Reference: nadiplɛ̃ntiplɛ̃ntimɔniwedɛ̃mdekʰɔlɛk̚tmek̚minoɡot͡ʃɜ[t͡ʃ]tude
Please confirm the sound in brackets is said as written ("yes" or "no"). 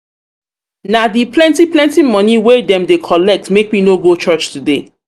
yes